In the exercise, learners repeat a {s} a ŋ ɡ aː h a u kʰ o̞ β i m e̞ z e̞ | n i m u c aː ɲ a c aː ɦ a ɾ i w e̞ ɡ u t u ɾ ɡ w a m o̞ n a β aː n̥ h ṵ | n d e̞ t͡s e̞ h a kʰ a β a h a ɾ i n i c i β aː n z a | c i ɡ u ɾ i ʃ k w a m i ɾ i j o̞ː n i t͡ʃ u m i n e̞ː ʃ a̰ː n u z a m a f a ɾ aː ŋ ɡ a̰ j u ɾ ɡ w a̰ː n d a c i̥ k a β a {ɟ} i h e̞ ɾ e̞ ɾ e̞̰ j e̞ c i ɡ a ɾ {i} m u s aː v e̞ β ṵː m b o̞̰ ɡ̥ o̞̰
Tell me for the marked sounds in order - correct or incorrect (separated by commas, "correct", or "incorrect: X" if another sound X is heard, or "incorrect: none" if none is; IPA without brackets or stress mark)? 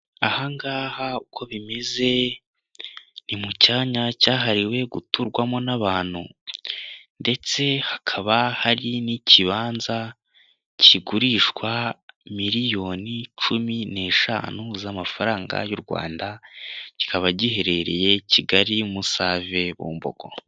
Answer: incorrect: h, correct, correct